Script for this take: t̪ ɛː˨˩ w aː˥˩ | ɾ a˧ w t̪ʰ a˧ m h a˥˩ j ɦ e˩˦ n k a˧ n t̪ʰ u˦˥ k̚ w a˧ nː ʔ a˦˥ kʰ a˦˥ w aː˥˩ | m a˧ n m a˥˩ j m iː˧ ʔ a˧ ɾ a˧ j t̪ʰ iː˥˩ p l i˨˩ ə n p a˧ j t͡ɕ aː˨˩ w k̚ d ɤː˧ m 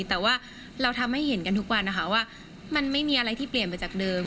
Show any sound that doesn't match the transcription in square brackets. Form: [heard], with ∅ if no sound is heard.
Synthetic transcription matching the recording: t̪ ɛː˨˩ w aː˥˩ | ɾ a˧ w t̪ʰ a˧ m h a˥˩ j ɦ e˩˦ n k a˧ n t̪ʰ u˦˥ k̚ w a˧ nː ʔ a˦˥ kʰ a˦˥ w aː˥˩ | m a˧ n m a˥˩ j m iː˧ ʔ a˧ ɾ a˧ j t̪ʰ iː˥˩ p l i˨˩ ə n p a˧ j t͡ɕ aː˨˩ [∅] k̚ d ɤː˧ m

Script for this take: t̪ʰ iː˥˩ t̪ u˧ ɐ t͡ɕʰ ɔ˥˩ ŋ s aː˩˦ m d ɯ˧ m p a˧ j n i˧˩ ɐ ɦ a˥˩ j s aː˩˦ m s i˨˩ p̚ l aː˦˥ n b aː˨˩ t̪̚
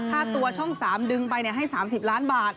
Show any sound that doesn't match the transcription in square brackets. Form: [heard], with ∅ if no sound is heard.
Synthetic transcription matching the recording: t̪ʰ [aː˥˩] t̪ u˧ ɐ t͡ɕʰ ɔ˥˩ ŋ s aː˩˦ m d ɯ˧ [ŋ] p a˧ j n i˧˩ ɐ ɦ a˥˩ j s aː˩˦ m s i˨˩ p̚ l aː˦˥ n b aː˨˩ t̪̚

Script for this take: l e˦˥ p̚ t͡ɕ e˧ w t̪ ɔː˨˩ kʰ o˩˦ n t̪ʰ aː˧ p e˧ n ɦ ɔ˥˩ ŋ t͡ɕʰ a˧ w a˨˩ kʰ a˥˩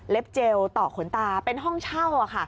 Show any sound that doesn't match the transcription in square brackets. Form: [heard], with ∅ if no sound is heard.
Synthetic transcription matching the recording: l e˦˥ p̚ t͡ɕ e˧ w t̪ ɔː˨˩ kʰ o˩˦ n [t̪] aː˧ p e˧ n ɦ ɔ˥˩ ŋ t͡ɕʰ [a˥˩] w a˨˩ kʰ a˥˩

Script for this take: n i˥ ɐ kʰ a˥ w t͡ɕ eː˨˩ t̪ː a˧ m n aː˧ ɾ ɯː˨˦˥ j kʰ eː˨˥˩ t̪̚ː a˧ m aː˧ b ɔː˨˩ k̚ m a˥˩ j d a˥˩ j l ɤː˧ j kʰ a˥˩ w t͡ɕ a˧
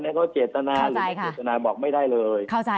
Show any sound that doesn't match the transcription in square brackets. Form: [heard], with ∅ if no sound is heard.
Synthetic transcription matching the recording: n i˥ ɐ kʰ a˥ w t͡ɕ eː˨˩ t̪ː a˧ [∅] n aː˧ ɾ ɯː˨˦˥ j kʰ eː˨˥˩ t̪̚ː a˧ [n] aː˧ b ɔː˨˩ k̚ m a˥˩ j d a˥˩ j l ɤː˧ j kʰ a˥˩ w t͡ɕ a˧

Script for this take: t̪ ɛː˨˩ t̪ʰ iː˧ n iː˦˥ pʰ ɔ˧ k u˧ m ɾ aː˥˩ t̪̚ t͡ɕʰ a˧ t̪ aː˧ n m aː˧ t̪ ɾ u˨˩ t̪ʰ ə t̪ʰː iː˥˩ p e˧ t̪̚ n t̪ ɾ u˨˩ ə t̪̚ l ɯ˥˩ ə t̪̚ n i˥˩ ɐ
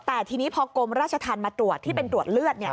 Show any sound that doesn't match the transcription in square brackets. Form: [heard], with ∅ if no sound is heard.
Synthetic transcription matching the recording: t̪ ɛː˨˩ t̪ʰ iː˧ n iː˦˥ pʰ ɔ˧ k [o˧] m ɾ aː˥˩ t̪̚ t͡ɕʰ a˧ [t̪ʰ] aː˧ n m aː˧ t̪ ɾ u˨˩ [∅] ə t̪ʰː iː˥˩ p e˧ [∅] n t̪ ɾ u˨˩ ə t̪̚ l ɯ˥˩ ə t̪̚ n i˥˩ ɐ

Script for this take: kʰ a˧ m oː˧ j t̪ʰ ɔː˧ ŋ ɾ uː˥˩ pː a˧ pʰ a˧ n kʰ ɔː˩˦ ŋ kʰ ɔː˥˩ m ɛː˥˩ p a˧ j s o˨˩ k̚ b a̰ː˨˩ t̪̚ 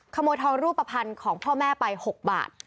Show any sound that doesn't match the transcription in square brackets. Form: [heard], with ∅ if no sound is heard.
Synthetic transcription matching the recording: kʰ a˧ m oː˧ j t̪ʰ ɔː˧ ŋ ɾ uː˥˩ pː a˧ pʰ a˧ n kʰ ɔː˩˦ ŋ [pʰ] ɔː˥˩ m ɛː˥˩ p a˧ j [h] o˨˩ k̚ b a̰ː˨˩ t̪̚

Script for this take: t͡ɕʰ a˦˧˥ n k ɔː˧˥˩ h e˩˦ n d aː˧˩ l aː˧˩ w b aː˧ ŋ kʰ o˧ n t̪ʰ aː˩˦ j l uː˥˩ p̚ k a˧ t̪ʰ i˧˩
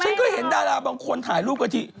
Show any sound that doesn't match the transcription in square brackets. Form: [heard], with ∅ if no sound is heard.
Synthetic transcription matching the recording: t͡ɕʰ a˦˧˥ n k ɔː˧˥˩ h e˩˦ n d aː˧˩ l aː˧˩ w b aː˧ ŋ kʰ o˧ n t̪ʰ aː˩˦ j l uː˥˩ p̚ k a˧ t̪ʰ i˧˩

